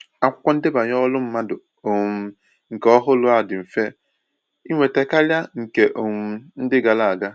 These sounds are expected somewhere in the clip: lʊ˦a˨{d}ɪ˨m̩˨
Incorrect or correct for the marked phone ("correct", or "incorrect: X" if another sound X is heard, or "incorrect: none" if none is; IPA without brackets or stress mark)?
correct